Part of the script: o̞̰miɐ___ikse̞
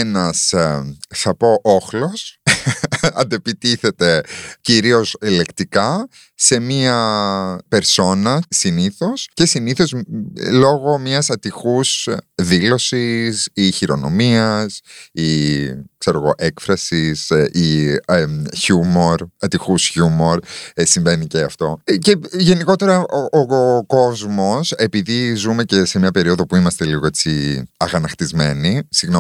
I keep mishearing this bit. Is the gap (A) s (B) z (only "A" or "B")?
A